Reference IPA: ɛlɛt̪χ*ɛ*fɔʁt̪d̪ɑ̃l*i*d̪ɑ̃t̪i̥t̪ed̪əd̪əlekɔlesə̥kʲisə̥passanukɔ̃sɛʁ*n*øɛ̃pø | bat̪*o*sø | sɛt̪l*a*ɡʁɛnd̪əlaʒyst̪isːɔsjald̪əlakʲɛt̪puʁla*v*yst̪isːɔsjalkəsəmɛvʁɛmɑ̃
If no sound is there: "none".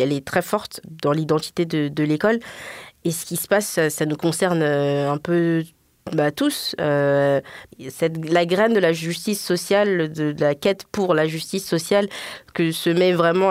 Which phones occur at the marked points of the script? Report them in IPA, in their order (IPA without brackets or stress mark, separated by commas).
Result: ɛ, i, n, u, a, ʒ